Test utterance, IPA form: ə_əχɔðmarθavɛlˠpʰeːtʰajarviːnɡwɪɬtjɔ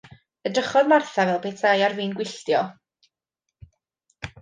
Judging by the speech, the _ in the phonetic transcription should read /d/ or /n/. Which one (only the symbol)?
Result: d